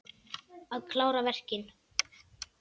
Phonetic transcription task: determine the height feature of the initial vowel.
low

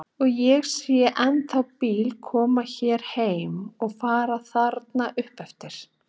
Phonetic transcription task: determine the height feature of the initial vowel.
mid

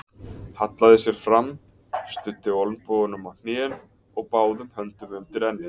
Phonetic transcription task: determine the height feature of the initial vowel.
low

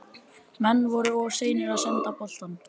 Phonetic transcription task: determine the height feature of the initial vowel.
mid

